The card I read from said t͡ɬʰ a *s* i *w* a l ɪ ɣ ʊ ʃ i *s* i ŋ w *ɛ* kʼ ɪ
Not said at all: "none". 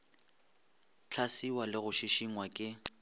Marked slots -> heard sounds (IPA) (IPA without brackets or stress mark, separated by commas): s, w, ʃ, a